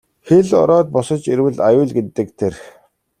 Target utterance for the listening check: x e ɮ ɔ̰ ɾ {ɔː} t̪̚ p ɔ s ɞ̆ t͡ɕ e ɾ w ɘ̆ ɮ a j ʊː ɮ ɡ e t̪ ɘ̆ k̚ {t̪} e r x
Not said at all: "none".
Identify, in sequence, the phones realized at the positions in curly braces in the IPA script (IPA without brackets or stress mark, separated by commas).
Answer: ɔː, t̪ʰ